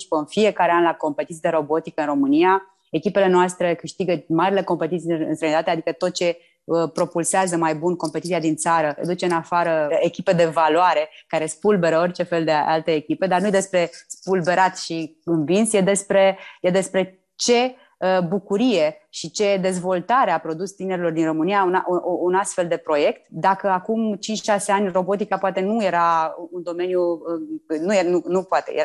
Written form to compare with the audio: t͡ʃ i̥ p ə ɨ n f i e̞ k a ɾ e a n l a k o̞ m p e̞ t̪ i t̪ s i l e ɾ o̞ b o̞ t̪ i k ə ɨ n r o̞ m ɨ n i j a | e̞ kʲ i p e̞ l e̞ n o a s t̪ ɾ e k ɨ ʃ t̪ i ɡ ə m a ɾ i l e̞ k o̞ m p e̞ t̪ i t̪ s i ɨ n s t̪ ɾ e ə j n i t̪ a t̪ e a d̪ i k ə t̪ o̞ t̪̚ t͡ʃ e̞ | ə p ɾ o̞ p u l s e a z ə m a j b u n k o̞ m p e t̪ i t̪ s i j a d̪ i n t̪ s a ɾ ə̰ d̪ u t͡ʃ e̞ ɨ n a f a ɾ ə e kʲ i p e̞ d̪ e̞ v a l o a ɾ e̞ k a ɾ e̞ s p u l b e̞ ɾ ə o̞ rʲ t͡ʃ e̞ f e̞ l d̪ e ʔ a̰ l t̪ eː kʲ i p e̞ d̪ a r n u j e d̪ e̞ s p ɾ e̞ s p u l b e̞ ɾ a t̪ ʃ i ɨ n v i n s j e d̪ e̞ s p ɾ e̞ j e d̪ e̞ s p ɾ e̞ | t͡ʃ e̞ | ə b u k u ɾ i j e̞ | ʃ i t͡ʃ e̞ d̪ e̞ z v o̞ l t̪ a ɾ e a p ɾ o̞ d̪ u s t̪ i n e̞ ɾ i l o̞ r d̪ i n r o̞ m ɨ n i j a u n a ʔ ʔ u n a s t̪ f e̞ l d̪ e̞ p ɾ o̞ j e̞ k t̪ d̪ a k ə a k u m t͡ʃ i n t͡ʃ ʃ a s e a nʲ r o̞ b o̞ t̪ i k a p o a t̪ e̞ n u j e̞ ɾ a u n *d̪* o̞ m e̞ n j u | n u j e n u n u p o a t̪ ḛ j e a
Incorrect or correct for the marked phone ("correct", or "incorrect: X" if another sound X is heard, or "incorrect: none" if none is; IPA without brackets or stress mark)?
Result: correct